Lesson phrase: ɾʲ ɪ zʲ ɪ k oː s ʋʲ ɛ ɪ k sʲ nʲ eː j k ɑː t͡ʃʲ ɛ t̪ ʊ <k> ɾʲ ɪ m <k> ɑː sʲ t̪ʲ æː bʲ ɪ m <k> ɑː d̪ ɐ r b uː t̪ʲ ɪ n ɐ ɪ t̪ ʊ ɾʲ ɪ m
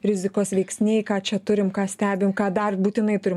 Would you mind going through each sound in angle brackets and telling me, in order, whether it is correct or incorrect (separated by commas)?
incorrect, correct, correct